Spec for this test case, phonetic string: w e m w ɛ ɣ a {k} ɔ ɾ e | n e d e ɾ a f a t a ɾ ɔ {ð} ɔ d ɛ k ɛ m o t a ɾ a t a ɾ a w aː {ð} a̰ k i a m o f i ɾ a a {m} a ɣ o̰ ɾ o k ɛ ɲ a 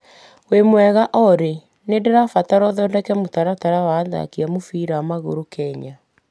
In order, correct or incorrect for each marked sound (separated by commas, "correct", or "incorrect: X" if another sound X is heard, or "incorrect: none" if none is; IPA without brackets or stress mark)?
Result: incorrect: ʔ, correct, correct, correct